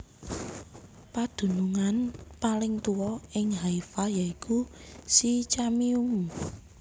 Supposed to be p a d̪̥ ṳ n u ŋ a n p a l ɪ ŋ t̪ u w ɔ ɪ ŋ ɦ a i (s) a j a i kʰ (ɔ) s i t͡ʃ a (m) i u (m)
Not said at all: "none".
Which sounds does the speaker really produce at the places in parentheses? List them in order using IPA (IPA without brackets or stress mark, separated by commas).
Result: f, u, m, m